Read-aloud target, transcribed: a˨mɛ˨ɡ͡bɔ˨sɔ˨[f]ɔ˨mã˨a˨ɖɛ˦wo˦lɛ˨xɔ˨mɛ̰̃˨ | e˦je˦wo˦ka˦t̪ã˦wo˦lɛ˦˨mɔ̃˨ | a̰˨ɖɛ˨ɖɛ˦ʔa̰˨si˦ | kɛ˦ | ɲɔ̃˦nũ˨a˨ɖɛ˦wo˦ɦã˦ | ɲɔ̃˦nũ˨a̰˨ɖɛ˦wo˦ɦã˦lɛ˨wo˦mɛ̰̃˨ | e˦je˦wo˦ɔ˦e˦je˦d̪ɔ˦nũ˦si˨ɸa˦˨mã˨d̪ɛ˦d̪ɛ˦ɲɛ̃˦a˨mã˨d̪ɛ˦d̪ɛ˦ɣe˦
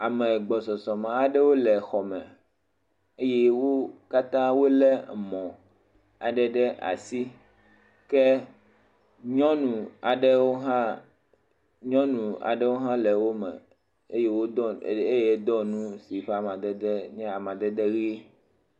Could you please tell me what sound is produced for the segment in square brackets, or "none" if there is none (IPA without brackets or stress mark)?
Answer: s